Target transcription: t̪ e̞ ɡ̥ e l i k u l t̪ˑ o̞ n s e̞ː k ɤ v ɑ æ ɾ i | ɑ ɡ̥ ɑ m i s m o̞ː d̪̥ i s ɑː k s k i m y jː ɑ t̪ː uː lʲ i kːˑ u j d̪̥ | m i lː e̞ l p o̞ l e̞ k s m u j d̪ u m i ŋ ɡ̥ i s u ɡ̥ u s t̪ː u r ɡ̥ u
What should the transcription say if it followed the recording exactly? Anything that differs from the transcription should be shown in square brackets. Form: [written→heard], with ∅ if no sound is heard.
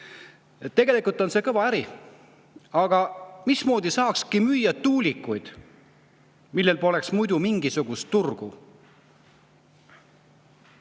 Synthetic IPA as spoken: t̪ e̞ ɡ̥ e l i k u l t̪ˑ o̞ n s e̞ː k ɤ v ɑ æ ɾ i | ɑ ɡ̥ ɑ m i s m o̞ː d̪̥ i s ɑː k s k i m y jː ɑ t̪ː uː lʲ i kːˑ u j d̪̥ | m i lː e̞ l p o̞ l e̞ k s m u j d̪ u m i ŋ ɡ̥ i s u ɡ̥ u s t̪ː u r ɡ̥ u